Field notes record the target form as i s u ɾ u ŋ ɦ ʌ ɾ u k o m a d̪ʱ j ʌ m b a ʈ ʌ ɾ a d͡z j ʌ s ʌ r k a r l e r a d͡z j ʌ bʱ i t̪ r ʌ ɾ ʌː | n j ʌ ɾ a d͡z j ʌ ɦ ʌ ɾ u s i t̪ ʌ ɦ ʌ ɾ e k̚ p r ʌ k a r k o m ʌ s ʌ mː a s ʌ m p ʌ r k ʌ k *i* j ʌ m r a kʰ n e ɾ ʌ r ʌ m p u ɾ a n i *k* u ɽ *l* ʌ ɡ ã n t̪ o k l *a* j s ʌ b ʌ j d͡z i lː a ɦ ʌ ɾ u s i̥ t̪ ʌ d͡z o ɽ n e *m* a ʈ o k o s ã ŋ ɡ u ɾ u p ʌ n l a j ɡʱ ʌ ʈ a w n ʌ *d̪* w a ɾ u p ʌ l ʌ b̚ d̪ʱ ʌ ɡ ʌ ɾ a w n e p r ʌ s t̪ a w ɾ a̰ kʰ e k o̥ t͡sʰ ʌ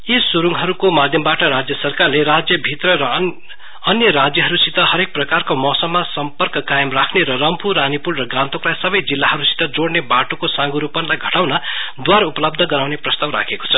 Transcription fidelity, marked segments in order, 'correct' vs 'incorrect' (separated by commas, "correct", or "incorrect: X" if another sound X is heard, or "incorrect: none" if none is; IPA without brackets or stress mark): incorrect: a, incorrect: p, incorrect: r, correct, incorrect: b, correct